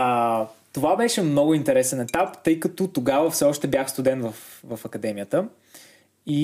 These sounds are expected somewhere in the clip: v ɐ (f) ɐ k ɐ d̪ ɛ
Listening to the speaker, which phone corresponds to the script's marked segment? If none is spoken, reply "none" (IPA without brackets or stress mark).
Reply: f